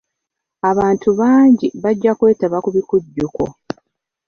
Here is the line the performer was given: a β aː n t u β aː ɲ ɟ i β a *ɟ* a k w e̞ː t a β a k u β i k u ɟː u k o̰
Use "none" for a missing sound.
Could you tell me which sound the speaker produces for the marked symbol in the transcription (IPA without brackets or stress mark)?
ɟː